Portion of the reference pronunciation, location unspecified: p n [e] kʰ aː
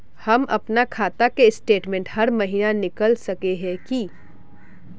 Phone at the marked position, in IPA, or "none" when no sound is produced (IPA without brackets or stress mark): a